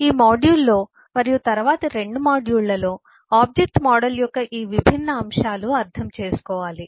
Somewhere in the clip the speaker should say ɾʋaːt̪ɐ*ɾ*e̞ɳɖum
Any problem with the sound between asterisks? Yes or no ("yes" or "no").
no